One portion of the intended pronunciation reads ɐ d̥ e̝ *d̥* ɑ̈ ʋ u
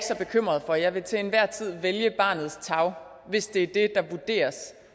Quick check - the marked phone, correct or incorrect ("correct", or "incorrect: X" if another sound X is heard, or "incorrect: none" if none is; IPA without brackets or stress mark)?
correct